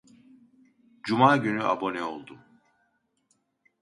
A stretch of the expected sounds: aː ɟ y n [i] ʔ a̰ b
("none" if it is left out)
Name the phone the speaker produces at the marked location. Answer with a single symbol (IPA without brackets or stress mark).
y